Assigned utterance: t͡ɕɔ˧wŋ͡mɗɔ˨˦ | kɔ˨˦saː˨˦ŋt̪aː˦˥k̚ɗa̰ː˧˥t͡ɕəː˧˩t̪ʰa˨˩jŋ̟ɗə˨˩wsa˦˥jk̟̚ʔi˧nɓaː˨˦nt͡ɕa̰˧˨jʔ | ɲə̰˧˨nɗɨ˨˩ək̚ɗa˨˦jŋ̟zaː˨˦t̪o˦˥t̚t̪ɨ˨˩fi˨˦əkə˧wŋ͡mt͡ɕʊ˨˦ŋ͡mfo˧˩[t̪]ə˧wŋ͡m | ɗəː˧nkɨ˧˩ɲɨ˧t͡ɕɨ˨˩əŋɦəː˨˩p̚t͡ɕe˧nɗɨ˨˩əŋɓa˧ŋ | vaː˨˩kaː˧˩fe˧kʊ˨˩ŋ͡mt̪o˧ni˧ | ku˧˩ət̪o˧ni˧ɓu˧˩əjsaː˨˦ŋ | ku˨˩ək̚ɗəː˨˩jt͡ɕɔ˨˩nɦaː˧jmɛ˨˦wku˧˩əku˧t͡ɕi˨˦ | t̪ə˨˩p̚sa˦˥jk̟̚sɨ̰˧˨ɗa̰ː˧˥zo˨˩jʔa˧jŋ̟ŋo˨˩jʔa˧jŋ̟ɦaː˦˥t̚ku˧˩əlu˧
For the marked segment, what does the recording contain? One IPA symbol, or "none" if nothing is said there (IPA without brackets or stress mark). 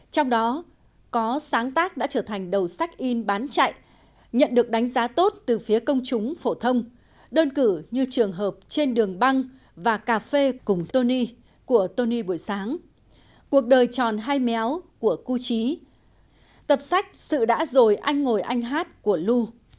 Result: t̪ʰ